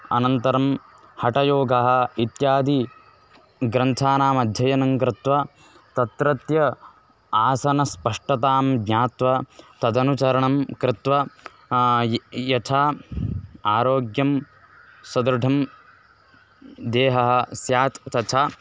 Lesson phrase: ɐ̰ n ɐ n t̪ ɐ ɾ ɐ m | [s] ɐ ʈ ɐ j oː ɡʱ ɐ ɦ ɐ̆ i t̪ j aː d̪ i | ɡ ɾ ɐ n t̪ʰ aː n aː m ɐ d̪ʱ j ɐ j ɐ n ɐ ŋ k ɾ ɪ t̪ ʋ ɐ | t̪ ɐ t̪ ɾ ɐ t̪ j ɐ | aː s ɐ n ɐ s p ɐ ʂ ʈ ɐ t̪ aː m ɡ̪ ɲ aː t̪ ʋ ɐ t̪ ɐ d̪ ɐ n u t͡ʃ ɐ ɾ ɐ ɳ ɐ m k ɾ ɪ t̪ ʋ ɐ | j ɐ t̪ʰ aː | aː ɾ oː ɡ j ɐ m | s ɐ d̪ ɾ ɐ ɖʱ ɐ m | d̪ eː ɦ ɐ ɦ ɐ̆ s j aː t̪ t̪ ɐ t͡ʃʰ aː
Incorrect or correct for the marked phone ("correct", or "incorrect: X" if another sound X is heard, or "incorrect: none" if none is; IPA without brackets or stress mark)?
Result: incorrect: h